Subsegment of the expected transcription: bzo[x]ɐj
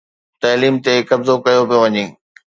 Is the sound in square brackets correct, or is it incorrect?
incorrect